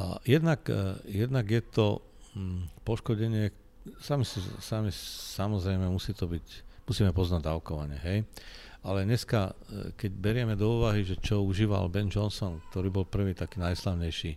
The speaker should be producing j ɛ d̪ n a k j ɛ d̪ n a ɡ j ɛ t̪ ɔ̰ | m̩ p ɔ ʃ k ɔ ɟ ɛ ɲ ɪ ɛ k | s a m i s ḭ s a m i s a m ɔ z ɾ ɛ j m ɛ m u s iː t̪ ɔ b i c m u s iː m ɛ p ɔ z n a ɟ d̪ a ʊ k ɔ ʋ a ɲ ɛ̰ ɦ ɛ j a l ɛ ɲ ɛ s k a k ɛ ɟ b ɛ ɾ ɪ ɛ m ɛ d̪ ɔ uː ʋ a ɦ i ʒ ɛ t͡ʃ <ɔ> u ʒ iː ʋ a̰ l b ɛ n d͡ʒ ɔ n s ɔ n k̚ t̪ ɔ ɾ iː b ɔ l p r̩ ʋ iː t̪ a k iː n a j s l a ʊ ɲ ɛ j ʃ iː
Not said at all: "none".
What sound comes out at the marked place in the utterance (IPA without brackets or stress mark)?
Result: ɔ